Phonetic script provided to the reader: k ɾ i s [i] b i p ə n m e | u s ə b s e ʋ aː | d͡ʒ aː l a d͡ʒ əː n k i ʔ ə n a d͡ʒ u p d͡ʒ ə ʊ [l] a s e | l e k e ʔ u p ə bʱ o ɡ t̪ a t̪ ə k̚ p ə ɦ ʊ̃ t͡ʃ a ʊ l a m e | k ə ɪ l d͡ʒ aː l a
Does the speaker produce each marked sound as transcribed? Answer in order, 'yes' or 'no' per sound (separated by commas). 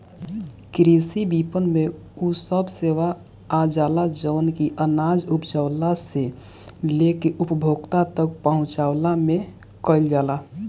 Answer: yes, yes